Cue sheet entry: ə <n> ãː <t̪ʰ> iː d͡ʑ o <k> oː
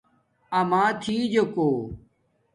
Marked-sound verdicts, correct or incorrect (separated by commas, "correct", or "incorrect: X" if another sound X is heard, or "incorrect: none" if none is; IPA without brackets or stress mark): incorrect: m, correct, correct